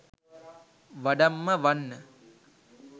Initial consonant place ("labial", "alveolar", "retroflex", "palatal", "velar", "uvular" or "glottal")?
labial